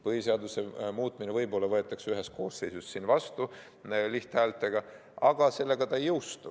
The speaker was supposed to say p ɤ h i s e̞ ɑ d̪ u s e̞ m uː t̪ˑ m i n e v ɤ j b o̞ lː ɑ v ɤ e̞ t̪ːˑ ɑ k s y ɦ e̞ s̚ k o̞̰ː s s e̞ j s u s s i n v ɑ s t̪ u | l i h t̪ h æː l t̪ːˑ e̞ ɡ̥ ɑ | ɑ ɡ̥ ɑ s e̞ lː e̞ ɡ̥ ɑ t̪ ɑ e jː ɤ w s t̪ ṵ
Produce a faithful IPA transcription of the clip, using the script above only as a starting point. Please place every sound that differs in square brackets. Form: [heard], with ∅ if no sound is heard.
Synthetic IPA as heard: p ɤ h i s e̞ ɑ d̪ u s e̞ m uː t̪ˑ m i n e v ɤ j b o̞ lː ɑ v ɤ e̞ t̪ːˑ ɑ k s y ɦ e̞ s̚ k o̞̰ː s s e̞ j s u s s i n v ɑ s t̪ u | l i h t̪ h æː l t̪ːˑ e̞ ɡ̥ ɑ | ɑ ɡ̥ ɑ s e̞ lː e̞ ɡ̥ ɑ t̪ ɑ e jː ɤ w s t̪ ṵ